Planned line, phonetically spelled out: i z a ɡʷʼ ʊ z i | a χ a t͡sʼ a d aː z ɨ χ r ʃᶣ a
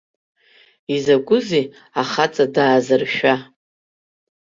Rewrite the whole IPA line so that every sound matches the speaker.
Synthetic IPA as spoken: i z a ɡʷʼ ʊ z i | a χ a t͡sʼ a d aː z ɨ r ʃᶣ a